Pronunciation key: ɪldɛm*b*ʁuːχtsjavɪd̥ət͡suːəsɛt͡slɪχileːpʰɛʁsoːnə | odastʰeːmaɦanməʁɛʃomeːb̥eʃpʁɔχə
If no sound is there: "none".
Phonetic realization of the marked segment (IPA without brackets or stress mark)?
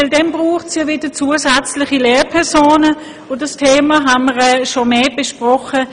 b